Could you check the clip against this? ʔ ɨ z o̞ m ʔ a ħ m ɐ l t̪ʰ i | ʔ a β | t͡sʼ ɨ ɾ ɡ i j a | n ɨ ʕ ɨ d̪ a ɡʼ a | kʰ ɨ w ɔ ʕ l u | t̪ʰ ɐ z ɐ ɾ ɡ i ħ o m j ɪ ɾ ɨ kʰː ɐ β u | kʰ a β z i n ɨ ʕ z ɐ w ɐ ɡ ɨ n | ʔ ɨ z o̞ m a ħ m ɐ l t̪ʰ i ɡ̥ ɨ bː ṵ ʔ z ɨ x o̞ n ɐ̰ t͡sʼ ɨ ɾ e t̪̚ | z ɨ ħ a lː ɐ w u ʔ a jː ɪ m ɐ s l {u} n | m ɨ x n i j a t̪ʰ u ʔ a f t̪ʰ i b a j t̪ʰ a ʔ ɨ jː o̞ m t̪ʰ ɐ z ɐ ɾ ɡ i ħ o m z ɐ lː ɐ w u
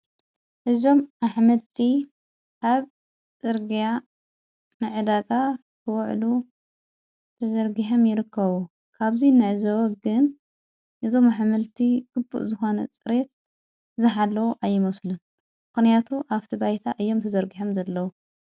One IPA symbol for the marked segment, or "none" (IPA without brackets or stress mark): u